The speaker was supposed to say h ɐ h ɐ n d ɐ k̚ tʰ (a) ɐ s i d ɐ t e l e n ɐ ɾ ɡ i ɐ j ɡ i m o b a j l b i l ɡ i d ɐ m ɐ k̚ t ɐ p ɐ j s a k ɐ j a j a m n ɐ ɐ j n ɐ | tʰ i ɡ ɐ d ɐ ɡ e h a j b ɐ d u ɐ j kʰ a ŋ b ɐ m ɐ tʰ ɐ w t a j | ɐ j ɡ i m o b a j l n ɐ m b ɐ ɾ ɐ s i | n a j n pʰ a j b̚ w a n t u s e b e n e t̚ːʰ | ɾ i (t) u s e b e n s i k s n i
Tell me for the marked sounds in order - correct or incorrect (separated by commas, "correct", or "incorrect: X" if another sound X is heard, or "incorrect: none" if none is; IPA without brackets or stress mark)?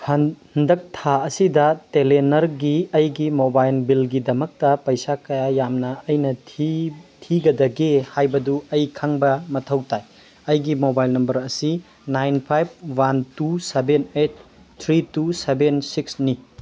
correct, correct